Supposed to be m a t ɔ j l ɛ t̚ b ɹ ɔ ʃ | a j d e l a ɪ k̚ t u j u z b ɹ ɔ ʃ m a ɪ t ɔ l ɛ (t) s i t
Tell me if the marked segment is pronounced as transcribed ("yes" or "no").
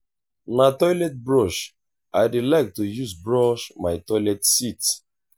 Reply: yes